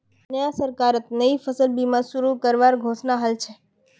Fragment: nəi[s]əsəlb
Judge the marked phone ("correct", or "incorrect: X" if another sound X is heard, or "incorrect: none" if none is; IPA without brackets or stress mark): incorrect: f